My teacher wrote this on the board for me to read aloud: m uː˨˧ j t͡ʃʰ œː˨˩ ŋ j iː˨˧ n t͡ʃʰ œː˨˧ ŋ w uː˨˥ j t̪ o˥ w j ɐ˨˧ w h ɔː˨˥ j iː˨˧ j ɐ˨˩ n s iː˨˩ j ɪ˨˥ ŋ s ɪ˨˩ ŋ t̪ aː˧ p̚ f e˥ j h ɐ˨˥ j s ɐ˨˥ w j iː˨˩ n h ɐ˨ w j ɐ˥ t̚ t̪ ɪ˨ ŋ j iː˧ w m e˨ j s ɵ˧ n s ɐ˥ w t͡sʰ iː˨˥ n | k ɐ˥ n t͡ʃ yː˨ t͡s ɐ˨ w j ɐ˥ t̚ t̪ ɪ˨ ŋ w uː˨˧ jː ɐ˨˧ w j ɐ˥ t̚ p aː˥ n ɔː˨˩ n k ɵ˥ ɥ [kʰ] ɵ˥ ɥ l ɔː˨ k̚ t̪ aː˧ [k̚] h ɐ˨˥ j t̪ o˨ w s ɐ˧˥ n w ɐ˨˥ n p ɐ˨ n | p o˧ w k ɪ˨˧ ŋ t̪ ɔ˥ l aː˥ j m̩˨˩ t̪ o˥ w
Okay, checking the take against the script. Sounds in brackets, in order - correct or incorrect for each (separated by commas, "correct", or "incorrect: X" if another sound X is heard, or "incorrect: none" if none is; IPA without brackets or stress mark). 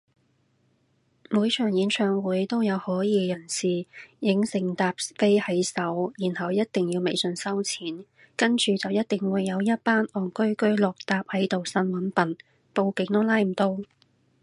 incorrect: k, incorrect: p̚